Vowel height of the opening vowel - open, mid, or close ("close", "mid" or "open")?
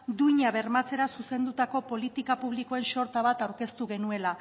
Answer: close